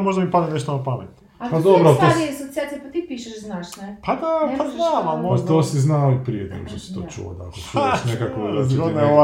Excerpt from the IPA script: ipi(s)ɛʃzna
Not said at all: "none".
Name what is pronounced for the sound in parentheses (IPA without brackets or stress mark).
ʃ